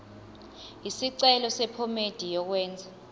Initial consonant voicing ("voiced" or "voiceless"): voiceless